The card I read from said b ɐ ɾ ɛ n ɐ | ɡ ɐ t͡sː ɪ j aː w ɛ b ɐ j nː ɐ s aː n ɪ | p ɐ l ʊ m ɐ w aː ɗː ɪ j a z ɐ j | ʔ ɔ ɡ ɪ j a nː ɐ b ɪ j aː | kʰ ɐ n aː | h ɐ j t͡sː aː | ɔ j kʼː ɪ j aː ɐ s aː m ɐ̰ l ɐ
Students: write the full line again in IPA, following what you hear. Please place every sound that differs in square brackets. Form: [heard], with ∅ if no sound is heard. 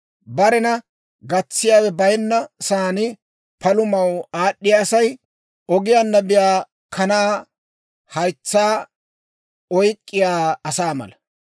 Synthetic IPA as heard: b ɐ ɾ ɛ n ɐ | ɡ ɐ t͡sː ɪ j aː w ɛ b ɐ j nː ɐ s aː n ɪ | p ɐ l ʊ m ɐ w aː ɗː ɪ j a [s] ɐ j | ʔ ɔ ɡ ɪ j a nː ɐ b ɪ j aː | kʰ ɐ n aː | h ɐ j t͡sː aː | ɔ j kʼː ɪ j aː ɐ s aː m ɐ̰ l ɐ

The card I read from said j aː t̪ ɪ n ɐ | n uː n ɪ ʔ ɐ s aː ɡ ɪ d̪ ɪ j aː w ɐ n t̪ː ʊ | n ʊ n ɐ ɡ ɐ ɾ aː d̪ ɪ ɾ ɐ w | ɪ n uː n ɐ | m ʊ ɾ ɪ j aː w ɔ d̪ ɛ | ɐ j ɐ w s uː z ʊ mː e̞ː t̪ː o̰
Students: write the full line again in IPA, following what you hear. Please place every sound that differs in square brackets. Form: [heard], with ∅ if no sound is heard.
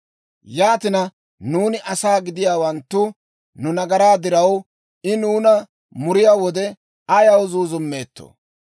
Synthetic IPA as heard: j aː t̪ ɪ n ɐ | n uː n ɪ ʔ ɐ s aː ɡ ɪ d̪ ɪ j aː w ɐ n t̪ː ʊ | n ʊ n ɐ ɡ ɐ ɾ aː d̪ ɪ ɾ ɐ w | ɪ n uː n ɐ | m ʊ ɾ ɪ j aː w ɔ d̪ ɛ | ɐ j ɐ w [z] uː z ʊ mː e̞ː t̪ː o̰

